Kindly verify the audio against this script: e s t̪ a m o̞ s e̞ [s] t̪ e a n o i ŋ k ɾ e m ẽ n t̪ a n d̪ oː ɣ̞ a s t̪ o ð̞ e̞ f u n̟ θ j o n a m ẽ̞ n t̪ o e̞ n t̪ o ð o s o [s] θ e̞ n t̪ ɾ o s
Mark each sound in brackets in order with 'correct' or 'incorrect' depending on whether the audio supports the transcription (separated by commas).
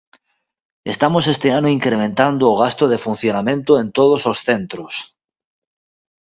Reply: correct, correct